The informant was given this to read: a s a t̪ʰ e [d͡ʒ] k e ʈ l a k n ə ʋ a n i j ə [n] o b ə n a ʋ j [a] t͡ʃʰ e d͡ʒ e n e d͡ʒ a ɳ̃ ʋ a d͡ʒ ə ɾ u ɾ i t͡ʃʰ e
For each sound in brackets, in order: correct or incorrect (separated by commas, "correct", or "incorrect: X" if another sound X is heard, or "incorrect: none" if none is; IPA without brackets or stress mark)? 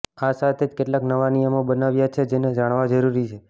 correct, incorrect: m, correct